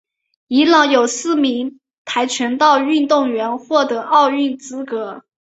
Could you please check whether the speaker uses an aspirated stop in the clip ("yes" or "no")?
yes